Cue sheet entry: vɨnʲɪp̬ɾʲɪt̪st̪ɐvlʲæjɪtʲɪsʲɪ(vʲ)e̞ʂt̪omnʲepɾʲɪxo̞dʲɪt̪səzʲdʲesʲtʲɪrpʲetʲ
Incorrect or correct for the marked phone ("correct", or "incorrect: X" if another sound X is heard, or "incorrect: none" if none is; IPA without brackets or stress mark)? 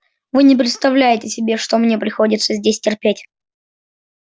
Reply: incorrect: bʲ